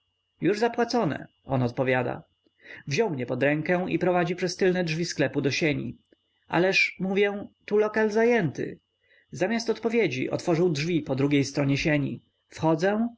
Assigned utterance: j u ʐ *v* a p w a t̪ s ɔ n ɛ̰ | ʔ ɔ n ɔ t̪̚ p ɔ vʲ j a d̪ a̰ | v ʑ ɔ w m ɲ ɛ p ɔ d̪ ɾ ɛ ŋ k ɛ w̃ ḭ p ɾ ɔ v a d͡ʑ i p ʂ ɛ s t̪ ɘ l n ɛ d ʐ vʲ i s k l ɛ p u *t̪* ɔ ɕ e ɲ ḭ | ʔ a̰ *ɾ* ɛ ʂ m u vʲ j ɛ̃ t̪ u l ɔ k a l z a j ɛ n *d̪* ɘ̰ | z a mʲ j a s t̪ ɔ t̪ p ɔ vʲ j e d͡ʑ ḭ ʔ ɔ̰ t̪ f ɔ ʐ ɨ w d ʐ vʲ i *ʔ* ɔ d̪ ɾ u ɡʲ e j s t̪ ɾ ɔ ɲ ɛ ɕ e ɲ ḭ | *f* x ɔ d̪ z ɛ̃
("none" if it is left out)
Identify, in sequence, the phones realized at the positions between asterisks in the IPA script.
z, d̪, l, t̪, p, f

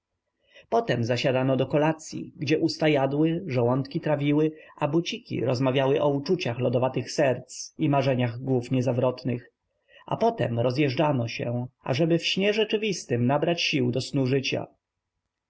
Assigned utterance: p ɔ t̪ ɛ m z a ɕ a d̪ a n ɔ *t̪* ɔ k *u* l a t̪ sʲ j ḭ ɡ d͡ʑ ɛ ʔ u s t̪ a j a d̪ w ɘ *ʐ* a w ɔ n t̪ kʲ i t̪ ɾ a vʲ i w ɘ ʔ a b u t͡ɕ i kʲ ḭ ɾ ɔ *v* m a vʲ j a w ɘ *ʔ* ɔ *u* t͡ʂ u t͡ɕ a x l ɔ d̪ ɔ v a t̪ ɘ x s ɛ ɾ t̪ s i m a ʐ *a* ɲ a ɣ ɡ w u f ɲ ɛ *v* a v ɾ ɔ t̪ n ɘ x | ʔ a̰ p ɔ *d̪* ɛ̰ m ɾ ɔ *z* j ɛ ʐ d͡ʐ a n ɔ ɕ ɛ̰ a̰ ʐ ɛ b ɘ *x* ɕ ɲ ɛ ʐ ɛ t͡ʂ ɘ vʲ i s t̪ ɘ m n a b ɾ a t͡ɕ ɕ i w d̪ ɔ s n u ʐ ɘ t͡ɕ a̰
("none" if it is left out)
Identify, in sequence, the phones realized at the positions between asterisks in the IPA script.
d̪, ɔ, ʐ, z, ʔ, u, ɛ, z, t̪, z, f

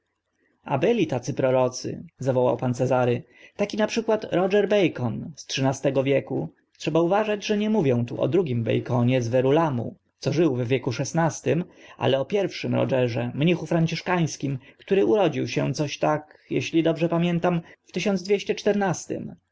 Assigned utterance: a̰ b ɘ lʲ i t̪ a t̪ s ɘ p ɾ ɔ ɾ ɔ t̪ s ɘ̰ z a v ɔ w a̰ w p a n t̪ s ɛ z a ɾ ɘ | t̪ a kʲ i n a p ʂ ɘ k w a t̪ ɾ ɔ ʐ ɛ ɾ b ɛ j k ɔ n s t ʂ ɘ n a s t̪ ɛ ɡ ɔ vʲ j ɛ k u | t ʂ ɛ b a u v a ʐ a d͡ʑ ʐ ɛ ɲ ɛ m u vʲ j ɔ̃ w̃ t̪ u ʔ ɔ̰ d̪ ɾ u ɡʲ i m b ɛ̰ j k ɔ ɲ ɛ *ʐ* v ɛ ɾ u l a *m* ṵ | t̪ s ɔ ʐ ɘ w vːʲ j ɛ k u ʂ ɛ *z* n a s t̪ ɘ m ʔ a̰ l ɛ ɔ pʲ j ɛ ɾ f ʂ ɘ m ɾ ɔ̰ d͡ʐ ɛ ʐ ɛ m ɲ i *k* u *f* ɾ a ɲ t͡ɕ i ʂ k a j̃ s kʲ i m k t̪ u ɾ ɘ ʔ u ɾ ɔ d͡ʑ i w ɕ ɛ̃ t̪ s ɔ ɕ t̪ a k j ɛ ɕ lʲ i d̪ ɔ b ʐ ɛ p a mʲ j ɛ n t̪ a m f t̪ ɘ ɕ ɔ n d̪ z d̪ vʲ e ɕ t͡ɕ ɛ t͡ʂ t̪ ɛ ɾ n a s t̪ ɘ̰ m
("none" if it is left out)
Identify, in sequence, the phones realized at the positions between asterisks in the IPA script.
z, m, s, x, f

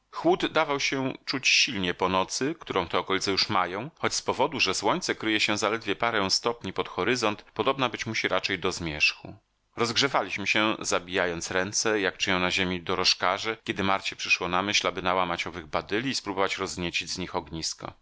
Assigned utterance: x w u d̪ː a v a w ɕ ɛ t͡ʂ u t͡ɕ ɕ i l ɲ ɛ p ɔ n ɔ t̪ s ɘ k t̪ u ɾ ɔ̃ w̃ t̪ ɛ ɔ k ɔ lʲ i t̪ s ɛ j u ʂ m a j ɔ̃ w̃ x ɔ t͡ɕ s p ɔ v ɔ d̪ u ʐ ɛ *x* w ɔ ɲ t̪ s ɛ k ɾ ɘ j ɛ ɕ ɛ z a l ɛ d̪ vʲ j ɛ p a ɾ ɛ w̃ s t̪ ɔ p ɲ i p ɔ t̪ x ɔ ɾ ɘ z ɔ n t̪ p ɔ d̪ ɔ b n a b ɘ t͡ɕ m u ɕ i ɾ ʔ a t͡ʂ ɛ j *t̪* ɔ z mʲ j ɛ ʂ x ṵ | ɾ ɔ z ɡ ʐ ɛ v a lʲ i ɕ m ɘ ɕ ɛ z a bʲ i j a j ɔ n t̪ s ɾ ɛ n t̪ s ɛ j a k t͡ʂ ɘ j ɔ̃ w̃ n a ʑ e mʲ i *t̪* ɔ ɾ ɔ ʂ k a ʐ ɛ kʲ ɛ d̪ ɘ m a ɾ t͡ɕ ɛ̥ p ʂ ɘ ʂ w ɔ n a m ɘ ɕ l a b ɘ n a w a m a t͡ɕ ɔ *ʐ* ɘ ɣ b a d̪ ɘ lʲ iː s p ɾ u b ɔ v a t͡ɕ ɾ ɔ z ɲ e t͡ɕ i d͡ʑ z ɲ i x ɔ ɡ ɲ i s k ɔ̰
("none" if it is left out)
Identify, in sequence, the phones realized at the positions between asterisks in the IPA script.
s, d̪, d̪, v

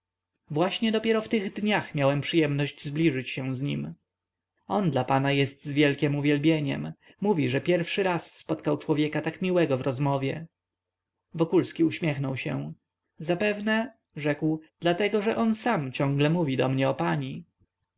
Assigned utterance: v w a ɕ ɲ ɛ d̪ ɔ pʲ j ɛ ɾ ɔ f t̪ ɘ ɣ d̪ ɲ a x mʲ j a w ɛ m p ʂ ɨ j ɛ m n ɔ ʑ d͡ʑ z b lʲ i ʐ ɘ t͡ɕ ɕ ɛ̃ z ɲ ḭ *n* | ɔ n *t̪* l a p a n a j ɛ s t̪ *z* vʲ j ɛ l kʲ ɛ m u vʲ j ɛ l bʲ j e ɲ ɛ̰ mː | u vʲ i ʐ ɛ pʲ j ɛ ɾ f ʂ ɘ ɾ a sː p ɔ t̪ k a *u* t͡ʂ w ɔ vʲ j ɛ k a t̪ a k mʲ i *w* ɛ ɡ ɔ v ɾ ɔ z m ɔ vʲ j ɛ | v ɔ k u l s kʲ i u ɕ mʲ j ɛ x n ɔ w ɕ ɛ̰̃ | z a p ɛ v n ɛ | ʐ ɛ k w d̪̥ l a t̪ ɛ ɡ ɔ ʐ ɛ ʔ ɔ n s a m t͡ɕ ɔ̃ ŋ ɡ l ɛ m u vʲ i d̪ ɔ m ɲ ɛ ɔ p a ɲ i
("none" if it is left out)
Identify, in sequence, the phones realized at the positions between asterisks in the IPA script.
m, d̪, z, w, w

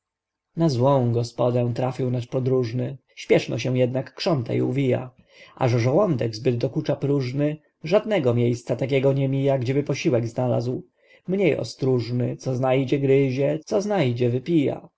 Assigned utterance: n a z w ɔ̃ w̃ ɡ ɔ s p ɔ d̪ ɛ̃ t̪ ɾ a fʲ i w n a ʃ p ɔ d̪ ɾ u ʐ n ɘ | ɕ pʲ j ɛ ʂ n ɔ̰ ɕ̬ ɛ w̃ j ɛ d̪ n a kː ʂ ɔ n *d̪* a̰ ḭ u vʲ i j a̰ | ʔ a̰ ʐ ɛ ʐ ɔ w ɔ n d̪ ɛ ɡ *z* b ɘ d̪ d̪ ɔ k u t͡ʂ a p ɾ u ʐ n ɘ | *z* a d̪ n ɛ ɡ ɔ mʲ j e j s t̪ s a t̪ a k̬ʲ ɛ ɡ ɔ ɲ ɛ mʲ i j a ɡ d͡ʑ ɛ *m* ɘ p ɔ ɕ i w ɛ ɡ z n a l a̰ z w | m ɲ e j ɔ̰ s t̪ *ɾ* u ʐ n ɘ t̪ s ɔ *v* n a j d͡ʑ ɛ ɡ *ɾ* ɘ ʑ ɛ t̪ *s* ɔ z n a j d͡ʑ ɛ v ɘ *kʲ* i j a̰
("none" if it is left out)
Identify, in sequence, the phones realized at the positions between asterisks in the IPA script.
t̪, z, ʐ, b, ɾ, z, ɾ, s, pʲ

